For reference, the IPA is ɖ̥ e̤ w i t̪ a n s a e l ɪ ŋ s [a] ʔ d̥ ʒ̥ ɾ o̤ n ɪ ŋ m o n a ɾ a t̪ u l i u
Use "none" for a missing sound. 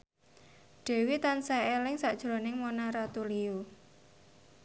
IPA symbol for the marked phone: a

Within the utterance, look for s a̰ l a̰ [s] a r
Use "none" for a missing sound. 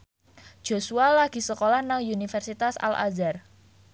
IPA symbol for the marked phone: z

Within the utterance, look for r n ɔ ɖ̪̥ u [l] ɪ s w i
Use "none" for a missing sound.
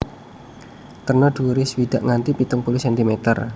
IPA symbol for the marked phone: ɾ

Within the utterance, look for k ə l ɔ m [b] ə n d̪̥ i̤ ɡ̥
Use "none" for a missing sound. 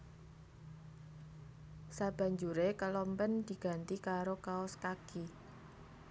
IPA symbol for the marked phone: p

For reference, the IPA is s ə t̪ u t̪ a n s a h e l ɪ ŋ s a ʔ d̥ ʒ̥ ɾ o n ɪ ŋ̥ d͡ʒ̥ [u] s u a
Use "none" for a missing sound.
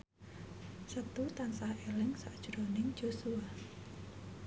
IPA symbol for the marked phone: o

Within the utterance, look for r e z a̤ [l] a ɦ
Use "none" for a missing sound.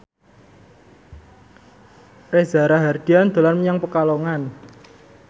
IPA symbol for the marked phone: ɾ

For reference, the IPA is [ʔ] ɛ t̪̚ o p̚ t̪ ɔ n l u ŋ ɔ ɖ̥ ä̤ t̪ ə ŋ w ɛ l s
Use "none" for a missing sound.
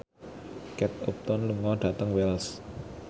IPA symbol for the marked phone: k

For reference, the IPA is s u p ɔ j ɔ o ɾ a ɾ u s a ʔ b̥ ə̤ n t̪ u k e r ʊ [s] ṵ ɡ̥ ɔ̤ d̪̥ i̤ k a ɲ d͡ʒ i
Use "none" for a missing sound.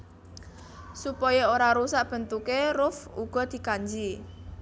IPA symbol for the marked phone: f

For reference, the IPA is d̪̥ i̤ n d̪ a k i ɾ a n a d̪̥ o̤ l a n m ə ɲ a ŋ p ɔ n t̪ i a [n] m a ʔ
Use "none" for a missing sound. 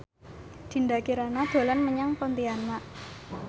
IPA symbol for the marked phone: n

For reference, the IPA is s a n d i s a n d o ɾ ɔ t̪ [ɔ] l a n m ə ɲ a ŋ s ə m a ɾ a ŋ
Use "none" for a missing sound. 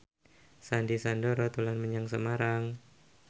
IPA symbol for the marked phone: u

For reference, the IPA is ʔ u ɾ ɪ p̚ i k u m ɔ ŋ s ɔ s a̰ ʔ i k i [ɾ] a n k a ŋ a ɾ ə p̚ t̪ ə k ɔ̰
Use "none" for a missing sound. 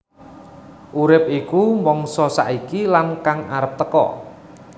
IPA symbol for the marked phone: l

